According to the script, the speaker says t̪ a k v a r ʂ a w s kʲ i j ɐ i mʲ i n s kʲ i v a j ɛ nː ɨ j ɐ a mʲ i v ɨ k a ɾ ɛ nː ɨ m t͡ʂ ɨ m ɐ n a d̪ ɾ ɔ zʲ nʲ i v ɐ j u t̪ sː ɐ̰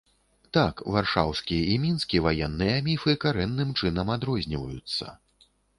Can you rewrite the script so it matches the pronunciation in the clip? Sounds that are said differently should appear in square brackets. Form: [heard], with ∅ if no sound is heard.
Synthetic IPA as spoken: t̪ a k v a r ʂ a w s kʲ i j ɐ i mʲ i n s kʲ i v a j ɛ nː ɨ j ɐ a mʲ i [f] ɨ k a ɾ ɛ nː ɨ m t͡ʂ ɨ [n] ɐ [m] a d̪ ɾ ɔ zʲ nʲ i v ɐ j u t̪ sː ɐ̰